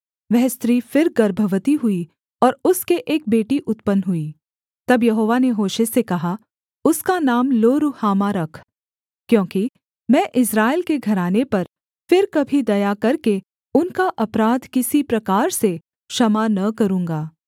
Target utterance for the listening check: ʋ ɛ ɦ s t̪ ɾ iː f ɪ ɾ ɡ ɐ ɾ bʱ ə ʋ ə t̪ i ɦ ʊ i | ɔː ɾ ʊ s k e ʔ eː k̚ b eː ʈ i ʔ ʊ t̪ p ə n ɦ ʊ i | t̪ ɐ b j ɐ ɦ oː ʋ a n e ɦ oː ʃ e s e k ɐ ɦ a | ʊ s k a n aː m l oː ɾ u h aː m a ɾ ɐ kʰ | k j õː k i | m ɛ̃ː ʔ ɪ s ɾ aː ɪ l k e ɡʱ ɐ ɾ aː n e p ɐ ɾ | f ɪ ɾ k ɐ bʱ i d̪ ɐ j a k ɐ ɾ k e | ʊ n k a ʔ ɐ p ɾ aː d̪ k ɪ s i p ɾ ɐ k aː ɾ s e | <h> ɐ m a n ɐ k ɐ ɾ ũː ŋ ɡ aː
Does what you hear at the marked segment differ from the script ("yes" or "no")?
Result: yes